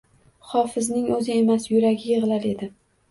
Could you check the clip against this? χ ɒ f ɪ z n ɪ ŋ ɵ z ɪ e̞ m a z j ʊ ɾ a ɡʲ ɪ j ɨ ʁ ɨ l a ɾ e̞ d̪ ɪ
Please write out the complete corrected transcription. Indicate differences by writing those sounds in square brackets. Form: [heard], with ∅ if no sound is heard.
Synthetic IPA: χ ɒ f ɪ z n ɪ ŋ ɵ z ɪ e̞ m a [s] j ʊ ɾ a ɡʲ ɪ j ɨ ʁ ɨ l a ɾ e̞ d̪ ɪ